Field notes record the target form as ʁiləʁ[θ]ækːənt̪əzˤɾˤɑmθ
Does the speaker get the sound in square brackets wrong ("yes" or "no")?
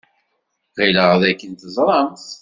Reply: yes